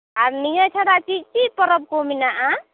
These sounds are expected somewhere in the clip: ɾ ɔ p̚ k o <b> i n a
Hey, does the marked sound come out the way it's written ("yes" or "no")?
no